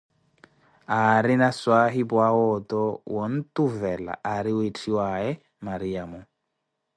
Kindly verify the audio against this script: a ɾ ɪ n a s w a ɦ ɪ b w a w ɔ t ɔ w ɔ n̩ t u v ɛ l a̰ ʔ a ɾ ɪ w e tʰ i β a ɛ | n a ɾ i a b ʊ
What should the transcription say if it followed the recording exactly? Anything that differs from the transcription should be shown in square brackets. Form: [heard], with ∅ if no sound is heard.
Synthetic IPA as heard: a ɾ ɪ n a s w a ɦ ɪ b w a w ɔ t ɔ w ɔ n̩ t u v ɛ l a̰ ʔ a ɾ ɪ w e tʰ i [w] a ɛ | [m] a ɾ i a [m] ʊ